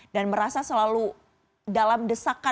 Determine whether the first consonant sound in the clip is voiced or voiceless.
voiced